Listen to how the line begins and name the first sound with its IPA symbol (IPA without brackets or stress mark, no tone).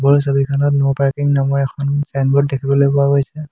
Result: b